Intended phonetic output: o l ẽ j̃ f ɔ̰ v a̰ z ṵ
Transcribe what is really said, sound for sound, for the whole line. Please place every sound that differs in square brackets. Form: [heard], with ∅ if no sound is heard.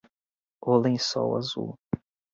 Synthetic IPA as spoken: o l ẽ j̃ [s] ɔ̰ [w] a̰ z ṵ